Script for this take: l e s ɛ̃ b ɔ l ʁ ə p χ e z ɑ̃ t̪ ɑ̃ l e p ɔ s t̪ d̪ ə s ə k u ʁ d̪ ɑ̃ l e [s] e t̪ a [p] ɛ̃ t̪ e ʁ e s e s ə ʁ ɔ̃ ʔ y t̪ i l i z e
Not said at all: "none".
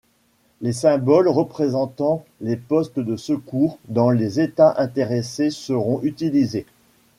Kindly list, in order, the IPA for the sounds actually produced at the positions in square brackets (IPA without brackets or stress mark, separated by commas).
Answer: z, ʔ